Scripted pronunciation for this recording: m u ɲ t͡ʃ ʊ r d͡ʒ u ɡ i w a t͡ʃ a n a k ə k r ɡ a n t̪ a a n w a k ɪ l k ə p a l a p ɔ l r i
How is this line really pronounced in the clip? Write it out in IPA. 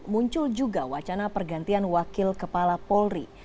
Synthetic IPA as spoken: m u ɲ t͡ʃ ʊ l d͡ʒ u ɡ a w a t͡ʃ a n a p ə r ɡ a n t̪ i a n w a k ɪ l k ə p a l a p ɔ l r i